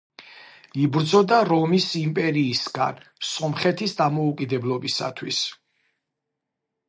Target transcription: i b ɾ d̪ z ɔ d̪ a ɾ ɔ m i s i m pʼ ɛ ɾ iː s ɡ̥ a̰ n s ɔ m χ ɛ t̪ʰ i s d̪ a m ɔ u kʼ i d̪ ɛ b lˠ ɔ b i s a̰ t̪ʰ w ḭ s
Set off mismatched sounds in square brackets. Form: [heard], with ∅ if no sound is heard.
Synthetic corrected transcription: i b ɾ d̪ z ɔ d̪ a ɾ ɔ m i s i m pʼ ɛ ɾ iː s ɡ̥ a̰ n s ɔ m χ ɛ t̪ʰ i s d̪ a m ɔ u kʼ i d̪ ɛ b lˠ ɔ b i s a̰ t̪ʰ w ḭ s